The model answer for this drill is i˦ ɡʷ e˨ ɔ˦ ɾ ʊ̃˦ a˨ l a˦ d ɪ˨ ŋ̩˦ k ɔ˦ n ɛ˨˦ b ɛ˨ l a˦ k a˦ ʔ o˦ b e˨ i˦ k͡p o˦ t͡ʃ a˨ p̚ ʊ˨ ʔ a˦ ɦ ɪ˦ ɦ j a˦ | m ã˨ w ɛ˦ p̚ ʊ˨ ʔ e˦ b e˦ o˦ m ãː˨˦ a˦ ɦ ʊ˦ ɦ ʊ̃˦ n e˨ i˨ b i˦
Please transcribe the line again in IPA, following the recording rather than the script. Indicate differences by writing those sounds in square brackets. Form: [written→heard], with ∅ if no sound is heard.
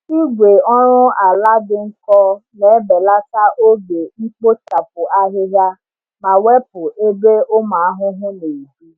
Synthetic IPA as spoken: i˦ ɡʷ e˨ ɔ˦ ɾ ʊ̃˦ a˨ l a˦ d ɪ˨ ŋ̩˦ k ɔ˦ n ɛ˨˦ b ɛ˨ l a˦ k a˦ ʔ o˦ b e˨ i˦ k͡p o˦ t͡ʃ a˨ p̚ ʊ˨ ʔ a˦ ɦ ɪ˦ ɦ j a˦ | m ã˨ w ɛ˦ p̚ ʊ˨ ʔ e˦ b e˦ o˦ m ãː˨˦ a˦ ɦ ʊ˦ ɦ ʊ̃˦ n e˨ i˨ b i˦